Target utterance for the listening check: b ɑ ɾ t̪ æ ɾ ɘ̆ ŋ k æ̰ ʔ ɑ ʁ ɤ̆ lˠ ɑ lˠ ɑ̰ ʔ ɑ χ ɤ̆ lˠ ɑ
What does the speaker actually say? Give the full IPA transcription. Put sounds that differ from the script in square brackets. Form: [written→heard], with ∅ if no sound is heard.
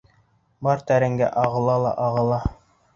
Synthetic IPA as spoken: b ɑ ɾ t̪ æ ɾ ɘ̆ ŋ [k→ɡ] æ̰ ʔ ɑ ʁ ɤ̆ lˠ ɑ lˠ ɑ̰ ʔ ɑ [χ→ʁ] ɤ̆ lˠ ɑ